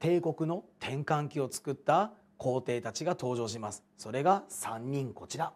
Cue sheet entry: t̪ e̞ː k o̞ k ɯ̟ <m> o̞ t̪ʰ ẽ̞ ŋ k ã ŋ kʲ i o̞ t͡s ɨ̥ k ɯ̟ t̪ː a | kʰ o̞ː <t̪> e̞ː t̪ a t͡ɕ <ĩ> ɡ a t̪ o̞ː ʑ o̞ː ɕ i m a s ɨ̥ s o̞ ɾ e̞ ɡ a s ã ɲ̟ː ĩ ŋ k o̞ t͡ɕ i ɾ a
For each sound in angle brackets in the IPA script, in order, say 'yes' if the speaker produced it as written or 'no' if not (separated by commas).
no, yes, no